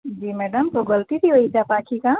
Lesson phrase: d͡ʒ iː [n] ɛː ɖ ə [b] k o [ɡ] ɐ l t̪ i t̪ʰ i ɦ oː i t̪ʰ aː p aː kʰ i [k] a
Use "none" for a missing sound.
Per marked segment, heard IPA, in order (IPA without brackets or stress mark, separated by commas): m, m, ɡ, k